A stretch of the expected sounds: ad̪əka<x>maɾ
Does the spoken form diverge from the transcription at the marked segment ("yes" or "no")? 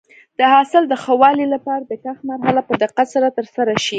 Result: no